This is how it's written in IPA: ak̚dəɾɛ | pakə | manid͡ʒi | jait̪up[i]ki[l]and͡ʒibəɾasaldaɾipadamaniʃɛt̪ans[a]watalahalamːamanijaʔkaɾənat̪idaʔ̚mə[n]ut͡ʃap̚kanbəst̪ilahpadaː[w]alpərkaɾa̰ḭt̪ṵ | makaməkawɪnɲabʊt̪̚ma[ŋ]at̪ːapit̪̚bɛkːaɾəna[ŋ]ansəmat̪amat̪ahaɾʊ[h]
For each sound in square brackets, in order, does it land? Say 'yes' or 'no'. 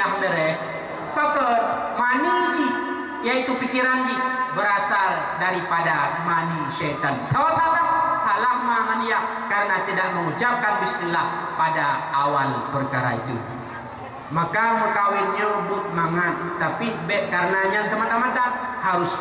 yes, no, yes, no, yes, yes, no, no

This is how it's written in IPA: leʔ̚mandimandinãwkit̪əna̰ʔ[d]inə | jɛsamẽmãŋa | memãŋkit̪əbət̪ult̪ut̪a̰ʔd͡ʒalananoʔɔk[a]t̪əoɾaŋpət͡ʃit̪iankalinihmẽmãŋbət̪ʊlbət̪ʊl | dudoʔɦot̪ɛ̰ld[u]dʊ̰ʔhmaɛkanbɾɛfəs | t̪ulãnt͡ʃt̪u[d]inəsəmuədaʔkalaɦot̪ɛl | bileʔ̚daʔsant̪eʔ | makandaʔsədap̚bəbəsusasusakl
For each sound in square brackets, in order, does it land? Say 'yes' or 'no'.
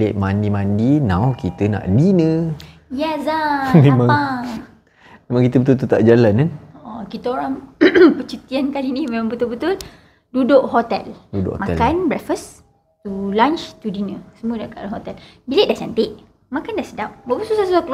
yes, no, yes, yes

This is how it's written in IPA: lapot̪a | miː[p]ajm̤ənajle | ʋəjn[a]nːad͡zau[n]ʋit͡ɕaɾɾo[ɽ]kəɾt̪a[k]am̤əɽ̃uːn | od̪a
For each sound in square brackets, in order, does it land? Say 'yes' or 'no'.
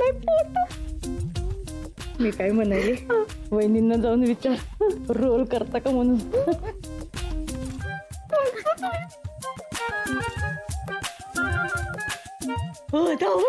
no, no, yes, no, yes

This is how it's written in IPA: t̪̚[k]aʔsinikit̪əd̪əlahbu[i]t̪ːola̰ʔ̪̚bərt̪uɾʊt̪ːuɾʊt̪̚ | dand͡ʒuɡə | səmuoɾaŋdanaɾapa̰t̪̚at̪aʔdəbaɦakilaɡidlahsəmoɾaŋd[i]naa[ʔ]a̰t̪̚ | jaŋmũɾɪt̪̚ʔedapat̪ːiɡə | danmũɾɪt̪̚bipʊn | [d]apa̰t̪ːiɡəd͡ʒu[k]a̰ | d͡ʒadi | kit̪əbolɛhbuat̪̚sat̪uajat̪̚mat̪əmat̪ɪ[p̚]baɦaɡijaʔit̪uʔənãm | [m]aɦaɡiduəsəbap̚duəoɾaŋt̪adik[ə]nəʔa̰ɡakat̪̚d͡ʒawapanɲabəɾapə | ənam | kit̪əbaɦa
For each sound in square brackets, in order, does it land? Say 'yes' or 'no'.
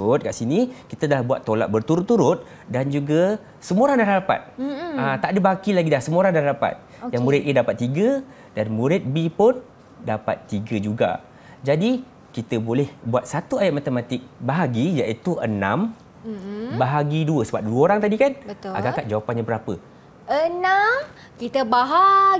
yes, no, no, no, yes, no, no, no, no

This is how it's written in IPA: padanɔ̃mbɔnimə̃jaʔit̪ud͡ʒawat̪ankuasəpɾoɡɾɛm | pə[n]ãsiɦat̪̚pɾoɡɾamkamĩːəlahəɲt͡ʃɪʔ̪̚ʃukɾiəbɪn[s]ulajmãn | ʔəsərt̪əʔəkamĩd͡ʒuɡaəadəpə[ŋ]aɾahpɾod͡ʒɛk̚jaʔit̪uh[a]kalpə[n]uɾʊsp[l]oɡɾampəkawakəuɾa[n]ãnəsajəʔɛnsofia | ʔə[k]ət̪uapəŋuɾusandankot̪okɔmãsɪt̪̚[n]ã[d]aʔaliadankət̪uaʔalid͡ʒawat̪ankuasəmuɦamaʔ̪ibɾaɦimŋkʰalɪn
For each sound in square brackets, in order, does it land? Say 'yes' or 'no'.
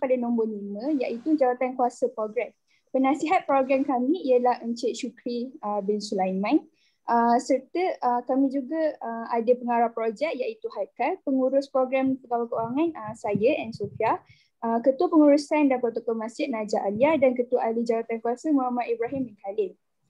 yes, yes, yes, yes, no, no, no, yes, yes, no

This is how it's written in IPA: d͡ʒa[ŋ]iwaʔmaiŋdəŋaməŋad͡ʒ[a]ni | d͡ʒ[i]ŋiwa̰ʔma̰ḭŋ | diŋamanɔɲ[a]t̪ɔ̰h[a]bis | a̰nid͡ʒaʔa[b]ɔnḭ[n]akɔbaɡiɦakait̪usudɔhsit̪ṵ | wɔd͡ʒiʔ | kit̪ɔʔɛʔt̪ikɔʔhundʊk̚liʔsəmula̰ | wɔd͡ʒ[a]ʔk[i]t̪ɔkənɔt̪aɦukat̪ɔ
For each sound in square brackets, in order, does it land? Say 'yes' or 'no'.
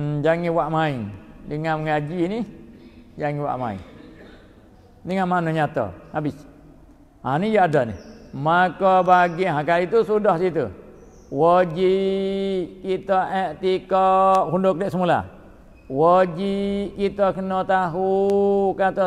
yes, no, no, yes, yes, no, no, no, yes

